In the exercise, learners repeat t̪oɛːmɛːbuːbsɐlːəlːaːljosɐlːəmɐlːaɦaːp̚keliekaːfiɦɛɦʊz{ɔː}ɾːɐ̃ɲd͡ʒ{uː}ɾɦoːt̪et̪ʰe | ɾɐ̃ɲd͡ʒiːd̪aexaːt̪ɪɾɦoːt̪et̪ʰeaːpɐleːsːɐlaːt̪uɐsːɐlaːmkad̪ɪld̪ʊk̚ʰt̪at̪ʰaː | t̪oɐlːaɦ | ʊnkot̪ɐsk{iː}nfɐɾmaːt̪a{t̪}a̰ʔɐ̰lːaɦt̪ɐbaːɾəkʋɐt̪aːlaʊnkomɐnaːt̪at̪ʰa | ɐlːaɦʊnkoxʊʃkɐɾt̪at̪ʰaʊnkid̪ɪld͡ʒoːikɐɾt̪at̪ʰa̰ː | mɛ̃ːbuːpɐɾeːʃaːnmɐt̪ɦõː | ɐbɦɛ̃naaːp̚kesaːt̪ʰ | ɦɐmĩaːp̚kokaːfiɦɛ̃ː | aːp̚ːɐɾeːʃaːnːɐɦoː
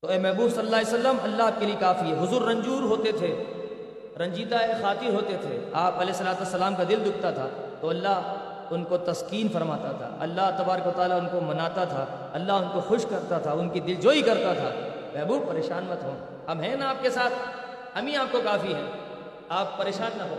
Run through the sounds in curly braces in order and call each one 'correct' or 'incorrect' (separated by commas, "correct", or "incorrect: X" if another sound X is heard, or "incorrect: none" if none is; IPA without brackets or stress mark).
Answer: incorrect: uː, correct, correct, incorrect: t̪ʰ